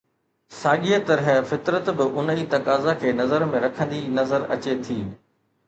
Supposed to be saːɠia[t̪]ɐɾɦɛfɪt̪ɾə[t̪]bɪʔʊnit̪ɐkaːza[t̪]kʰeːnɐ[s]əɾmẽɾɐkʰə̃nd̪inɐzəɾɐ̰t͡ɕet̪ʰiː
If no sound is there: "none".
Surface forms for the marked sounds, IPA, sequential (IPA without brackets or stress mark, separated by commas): t̪, t̪, none, z